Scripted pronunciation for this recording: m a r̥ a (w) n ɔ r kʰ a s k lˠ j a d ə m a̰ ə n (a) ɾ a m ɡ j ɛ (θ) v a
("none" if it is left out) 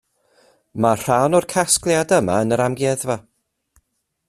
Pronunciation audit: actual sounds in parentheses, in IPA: w, ə, ð

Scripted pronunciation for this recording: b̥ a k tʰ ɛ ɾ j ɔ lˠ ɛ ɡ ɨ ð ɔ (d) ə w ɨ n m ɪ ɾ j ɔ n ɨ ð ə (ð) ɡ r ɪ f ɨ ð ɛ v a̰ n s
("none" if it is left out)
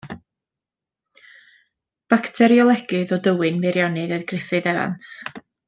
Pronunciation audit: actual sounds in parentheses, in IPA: d, ð

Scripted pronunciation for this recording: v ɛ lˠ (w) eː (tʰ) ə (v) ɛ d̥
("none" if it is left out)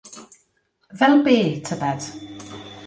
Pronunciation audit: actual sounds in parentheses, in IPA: b, tʰ, b

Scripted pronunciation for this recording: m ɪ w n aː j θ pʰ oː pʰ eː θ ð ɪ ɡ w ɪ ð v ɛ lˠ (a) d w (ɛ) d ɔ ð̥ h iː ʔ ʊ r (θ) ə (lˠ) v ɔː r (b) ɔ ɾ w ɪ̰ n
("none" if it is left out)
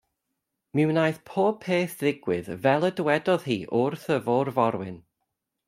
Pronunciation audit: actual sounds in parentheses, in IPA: ə, ɛ, θ, none, v

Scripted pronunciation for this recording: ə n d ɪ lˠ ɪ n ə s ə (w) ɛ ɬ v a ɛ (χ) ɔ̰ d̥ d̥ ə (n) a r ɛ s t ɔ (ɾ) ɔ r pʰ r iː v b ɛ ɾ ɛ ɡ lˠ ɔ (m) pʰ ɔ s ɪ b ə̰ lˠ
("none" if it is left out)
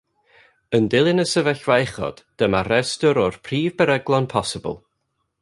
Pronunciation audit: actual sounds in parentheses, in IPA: v, χ, m, ɾ, n

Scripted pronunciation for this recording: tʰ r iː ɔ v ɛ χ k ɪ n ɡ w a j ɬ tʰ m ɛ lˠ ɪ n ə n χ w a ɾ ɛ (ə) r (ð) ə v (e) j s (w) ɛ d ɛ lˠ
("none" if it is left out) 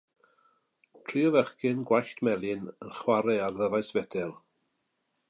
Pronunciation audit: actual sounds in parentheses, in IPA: a, ð, a, v

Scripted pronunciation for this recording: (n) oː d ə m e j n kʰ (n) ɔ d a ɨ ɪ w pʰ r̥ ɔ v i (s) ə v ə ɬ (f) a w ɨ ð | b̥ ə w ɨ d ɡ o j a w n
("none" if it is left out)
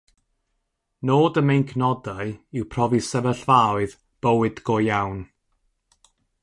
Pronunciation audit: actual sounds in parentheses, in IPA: n, n, s, v

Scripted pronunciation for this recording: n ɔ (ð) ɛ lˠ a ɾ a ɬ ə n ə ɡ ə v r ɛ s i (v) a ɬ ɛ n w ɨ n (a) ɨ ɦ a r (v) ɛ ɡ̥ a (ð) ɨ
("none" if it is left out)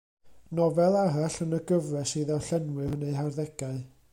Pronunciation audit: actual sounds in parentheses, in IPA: v, ð, e, ð, none

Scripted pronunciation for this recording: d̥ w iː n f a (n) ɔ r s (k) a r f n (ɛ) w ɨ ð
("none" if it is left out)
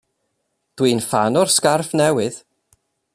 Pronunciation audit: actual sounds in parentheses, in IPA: n, k, ɛ

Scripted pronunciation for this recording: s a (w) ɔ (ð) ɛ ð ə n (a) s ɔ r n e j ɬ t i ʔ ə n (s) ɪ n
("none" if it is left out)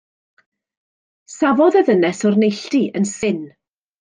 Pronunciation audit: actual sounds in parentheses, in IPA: v, ð, ɛ, s

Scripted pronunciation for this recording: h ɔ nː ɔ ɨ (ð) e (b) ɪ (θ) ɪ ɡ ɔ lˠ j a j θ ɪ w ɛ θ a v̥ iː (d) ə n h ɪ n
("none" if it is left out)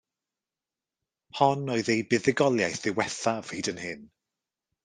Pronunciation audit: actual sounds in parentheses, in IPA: ð, b, ð, d

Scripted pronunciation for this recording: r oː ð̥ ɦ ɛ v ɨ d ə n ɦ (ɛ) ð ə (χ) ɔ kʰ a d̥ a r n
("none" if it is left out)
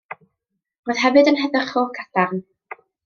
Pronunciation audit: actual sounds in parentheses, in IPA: ɛ, χ

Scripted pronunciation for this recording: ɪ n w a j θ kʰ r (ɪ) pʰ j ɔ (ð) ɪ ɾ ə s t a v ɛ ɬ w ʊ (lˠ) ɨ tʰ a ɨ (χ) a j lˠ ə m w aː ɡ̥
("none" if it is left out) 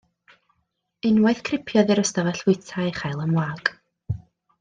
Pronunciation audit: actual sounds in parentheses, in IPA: ɪ, ð, none, χ

